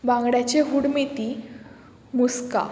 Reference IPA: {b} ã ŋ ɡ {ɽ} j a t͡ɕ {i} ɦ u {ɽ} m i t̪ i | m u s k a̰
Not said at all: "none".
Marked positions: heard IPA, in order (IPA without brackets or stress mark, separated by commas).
b, ɽ, e, ɽ